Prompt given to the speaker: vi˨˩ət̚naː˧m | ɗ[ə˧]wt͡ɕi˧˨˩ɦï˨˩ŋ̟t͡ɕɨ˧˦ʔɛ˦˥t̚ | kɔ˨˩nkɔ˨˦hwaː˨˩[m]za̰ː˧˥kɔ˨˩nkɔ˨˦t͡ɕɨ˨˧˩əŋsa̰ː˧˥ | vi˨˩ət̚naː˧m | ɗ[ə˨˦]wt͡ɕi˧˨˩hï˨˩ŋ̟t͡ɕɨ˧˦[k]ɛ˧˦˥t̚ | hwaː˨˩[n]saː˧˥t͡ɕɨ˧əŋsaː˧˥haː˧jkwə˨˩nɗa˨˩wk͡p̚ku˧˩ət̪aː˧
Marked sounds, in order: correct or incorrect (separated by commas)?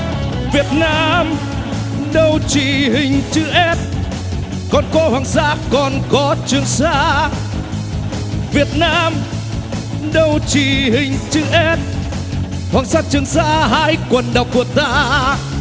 correct, incorrect, incorrect, incorrect, incorrect